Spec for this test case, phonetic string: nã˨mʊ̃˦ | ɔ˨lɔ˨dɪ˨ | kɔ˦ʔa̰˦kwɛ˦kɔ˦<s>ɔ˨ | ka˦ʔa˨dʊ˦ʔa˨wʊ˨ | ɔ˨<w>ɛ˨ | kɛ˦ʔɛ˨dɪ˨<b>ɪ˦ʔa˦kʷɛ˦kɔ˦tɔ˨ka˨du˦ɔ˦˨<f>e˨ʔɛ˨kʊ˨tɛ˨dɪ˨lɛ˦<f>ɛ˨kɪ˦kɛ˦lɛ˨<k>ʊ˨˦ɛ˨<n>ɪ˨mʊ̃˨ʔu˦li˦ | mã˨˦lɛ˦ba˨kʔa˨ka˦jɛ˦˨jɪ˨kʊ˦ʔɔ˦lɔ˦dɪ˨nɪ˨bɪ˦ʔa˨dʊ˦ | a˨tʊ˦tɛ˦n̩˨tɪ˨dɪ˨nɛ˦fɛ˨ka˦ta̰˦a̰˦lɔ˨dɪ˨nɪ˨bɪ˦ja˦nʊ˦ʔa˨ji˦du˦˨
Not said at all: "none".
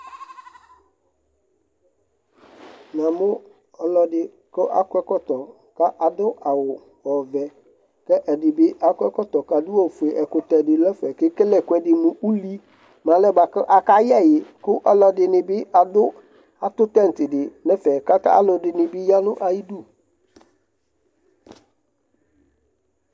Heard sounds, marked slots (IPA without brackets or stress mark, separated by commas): t, v, b, f, f, k, d